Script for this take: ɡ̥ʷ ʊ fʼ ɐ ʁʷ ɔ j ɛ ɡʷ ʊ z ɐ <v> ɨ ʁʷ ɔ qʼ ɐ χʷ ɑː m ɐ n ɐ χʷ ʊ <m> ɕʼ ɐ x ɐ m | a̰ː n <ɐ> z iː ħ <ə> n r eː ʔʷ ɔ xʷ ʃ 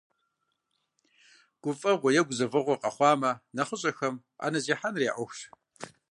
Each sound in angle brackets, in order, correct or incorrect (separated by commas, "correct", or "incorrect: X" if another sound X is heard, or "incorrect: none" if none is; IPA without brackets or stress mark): correct, incorrect: none, correct, incorrect: a